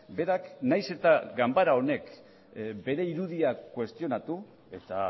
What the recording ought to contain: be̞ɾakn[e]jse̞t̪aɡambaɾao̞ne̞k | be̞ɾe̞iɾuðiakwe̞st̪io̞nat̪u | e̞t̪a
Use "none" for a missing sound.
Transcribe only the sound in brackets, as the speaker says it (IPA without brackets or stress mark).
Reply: a